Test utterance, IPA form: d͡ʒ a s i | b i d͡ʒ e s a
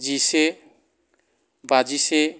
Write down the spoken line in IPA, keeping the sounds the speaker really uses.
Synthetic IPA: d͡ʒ i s e | b a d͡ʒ i s e